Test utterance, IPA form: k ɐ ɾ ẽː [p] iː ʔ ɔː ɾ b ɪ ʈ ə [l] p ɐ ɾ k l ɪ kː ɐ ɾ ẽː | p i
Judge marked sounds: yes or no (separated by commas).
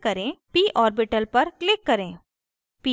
yes, yes